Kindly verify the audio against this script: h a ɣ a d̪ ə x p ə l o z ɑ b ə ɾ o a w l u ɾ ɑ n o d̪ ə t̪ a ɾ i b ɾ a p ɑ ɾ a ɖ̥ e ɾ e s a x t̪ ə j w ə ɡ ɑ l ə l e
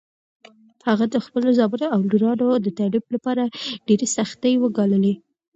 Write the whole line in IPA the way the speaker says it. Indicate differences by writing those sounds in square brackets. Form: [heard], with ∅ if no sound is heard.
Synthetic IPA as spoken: h a ɣ a d̪ ə x p ə l o z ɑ b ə ɾ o a w l u ɾ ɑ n o d̪ ə t̪ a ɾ i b [l] a p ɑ ɾ a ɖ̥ e ɾ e s a x t̪ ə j w ə ɡ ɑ l ə l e